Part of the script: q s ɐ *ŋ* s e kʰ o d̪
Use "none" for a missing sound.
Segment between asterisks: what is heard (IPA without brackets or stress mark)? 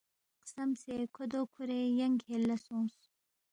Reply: m